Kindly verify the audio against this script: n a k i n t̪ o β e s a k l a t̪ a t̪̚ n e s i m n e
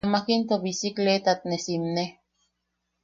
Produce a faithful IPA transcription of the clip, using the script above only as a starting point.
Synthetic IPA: m a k i n t̪ o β i s i k l e t̪ a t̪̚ n e s i m n e